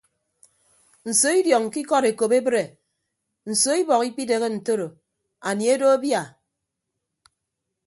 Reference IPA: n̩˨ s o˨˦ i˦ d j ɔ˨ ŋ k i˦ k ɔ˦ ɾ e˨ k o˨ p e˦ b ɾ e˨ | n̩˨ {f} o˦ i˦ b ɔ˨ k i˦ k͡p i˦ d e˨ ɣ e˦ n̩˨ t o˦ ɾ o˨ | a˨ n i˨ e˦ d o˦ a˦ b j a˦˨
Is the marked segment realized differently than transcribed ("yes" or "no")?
yes